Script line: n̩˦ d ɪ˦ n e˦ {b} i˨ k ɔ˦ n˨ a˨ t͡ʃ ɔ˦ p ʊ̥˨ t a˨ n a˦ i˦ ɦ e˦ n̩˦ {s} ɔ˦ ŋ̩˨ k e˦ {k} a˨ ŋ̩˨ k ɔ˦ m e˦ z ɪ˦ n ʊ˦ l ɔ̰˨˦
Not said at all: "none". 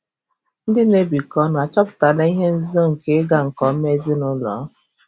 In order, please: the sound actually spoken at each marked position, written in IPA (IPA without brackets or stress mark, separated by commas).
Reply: b, z, ɡ